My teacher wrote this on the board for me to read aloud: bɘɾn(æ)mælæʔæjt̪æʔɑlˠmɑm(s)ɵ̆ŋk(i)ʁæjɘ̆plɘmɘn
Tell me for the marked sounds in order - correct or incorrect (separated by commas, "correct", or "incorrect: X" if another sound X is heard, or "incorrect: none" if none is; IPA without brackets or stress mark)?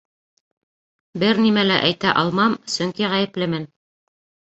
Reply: incorrect: i, correct, correct